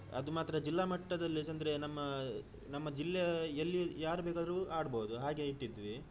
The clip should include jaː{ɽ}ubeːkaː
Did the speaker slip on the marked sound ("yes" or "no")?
yes